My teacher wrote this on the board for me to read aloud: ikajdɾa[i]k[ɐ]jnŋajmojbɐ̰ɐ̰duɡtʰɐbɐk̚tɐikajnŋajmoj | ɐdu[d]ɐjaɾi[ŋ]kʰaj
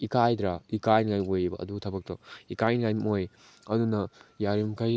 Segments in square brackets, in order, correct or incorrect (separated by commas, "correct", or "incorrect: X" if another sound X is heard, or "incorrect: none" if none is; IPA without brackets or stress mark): correct, incorrect: a, incorrect: n, incorrect: m